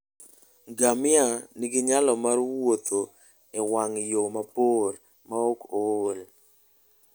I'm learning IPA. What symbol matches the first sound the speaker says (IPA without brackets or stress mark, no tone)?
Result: ɡ